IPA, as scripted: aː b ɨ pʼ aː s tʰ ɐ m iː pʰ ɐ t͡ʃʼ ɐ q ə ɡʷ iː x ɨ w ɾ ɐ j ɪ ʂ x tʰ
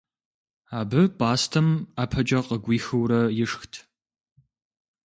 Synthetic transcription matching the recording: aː b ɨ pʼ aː s tʰ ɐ m aː pʰ ɐ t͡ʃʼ ɐ q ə ɡʷ iː x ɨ w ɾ ɐ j ɪ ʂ x tʰ